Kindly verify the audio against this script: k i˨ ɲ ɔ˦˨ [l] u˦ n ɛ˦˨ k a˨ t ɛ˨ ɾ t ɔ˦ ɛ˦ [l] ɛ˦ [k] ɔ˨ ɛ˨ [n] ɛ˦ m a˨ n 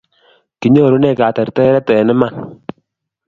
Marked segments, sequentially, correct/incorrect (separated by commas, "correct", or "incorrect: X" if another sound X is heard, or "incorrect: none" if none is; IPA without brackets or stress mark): incorrect: ɾ, incorrect: ɾ, incorrect: t, correct